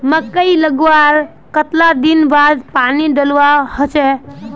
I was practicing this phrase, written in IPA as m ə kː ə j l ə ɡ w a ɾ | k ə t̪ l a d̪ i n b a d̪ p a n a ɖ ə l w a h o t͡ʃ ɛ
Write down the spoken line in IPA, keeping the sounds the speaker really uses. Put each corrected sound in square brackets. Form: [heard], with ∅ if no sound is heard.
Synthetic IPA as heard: m ə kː ə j l ə ɡ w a ɾ | k ə t̪ l a d̪ i n b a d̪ p a n [i] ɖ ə l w a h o t͡ʃ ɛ